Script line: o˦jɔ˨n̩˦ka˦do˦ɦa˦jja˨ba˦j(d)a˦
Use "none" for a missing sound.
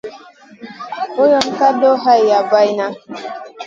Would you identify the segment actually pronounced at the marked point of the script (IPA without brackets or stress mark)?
n